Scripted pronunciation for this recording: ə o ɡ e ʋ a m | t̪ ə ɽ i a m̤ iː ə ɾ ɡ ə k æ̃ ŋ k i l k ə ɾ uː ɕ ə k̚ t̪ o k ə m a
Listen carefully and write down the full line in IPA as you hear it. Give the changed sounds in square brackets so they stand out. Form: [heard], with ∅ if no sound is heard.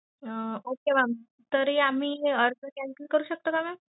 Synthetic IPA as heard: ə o [k] e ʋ a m | t̪ ə [ɾ] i a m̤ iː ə ɾ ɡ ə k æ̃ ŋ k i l k ə ɾ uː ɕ ə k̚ t̪ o k [a] m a

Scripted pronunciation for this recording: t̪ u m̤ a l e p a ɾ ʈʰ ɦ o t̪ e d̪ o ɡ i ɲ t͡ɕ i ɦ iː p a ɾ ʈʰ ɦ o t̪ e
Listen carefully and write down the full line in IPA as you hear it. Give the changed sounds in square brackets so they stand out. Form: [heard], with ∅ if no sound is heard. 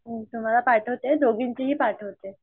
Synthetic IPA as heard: t̪ u m̤ a l [a] p a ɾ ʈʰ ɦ o t̪ e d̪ o ɡ i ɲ t͡ɕ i ɦ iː p a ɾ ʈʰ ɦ o t̪ e

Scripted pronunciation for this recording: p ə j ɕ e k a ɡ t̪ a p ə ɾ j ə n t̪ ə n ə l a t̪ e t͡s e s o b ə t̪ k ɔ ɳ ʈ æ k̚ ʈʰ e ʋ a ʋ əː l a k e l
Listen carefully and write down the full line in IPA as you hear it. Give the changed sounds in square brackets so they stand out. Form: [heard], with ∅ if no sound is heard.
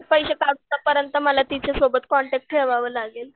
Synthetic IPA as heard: p ə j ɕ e k a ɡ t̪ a p ə ɾ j ə n t̪ ə [m] ə l a t̪ [i] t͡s e s o b ə t̪ k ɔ ɳ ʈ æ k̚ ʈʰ e ʋ a ʋ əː l a [ɡ] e l

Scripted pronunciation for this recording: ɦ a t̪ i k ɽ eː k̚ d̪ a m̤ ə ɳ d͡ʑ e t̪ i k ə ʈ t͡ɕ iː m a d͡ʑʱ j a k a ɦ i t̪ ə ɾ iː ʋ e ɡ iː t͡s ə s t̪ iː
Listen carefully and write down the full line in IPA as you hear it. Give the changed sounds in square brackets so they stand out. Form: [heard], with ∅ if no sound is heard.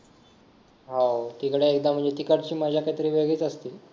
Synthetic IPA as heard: ɦ a t̪ i k ɽ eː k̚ d̪ a m̤ ə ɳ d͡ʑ e t̪ i k ə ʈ t͡ɕ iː m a d͡ʑʱ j a k a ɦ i t̪ ə ɾ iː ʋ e ɡ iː t͡s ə s t̪ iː

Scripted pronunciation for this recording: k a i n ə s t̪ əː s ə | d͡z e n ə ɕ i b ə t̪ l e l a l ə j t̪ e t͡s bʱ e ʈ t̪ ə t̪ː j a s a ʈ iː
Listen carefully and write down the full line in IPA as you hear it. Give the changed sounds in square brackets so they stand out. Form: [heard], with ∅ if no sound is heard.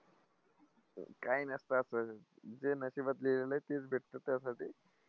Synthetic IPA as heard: k a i n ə s t̪ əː s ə | d͡z e n ə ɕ i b ə t̪ l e l [e] l ə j t̪ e t͡s bʱ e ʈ t̪ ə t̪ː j a s a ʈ iː

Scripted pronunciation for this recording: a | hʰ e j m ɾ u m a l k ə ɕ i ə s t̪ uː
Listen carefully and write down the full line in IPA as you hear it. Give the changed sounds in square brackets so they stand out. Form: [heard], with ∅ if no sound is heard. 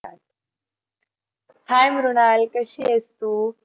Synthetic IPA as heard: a | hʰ [a] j m ɾ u [n] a l k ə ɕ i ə s t̪ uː

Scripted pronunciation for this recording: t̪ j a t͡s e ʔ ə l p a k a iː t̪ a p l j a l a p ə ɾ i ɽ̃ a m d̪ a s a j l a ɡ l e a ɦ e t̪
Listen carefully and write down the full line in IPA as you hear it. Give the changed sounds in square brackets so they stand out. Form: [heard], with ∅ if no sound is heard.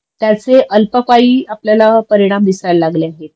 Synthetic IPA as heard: t̪ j a t͡s e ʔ ə l p [ə] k a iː [∅] a p l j a l a p ə ɾ i ɽ̃ a m d̪ [i] s a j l a ɡ l e a ɦ e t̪

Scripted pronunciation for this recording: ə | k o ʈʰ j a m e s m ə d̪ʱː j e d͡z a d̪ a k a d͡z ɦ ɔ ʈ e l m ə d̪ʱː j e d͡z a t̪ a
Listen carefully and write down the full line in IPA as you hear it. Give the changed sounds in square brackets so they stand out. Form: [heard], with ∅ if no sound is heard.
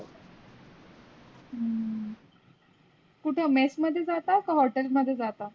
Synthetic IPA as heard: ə | k [u] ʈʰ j a m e s m ə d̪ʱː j e d͡z a [t̪] a k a [∅] ɦ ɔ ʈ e l m ə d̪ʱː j e d͡z a t̪ a

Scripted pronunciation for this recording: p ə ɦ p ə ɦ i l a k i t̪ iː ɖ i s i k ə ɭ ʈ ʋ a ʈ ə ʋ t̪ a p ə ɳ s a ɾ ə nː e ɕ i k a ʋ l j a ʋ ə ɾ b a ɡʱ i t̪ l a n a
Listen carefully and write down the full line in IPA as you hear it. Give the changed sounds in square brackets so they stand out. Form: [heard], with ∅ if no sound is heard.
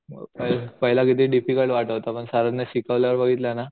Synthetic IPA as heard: p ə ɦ p ə ɦ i l a k i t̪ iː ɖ i [f] i k ə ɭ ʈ ʋ a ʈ ə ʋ t̪ a p ə ɳ s a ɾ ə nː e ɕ i k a ʋ l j a ʋ ə ɾ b [ə] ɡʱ i t̪ l a n a

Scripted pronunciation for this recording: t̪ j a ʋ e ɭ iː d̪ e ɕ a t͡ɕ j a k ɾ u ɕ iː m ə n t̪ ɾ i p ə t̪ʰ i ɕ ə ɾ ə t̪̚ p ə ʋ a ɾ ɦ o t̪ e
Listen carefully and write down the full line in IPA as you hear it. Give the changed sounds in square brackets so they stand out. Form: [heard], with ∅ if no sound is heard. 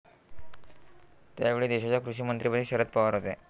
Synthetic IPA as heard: t̪ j a ʋ e ɭ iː d̪ e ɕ a t͡ɕ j a k ɾ u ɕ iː m ə n t̪ ɾ i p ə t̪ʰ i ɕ ə ɾ ə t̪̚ p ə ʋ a ɾ ɦ o t̪ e

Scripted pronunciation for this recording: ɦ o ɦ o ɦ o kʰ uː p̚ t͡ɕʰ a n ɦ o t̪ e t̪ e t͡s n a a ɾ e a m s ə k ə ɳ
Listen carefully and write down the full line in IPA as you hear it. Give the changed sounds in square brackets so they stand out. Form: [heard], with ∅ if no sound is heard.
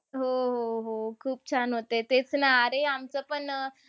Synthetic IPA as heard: ɦ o ɦ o ɦ o kʰ uː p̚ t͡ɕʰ a n ɦ o t̪ e t̪ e t͡s n a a ɾ e a m [t͡s] ə [p] ə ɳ

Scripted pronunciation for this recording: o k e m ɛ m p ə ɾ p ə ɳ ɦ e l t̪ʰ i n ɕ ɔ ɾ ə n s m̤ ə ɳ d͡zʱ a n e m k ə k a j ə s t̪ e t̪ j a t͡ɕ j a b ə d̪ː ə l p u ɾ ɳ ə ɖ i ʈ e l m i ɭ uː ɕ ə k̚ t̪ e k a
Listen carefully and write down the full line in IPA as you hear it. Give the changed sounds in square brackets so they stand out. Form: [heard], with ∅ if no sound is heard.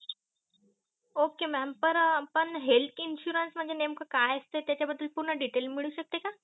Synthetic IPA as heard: o k e m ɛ m p ə ɾ p ə ɳ ɦ e l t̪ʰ i n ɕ [u] ɾ ə n s m̤ ə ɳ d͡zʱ [e] n e m k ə k a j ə s t̪ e t̪ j a t͡ɕ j a b ə d̪ː ə l p u ɾ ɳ ə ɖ i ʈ e l m i ɭ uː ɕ ə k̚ t̪ e k a

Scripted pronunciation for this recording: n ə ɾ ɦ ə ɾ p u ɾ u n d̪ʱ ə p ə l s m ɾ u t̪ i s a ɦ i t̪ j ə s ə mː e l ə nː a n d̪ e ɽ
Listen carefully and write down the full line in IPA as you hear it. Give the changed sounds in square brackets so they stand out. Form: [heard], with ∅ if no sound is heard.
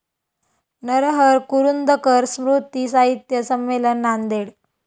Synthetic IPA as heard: n ə ɾ ɦ ə ɾ [k] u ɾ u n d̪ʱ ə [k] ə [ɾ] s m ɾ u t̪ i s a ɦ i t̪ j ə s ə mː e l ə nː a n d̪ e ɽ

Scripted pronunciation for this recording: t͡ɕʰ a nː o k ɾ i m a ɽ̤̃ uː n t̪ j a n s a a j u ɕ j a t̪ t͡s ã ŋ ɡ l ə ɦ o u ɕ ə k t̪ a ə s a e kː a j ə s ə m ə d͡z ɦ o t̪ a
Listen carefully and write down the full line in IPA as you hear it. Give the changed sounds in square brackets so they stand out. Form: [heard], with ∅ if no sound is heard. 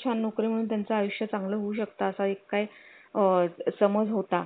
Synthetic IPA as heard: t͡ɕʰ a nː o k ɾ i m [ə] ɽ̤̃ uː n t̪ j a n [t͡s] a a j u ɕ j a [∅] t͡s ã ŋ ɡ l ə ɦ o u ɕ ə k t̪ a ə s a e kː a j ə s ə m ə d͡z ɦ o t̪ a

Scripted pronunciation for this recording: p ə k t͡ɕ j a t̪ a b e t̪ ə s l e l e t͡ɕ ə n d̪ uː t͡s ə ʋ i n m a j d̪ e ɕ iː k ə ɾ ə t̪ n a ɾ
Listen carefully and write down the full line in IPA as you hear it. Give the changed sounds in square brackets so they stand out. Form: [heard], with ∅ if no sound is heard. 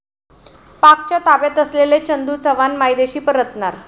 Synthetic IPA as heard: p [a] k t͡ɕ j a t̪ a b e t̪ ə s l e l e t͡ɕ ə n d̪ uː t͡s ə ʋ [a] n m a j d̪ e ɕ iː [p] ə ɾ ə t̪ n a ɾ

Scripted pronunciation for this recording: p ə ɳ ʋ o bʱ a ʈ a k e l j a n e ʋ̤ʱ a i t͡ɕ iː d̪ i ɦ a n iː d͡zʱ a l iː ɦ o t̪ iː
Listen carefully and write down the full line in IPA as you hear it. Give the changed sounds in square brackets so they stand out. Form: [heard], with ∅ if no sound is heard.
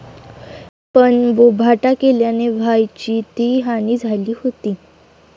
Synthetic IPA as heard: p ə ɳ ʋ o bʱ a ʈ a k e l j a n e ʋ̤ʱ a [j] t͡ɕ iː [t̪] i ɦ a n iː d͡zʱ a l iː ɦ o t̪ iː

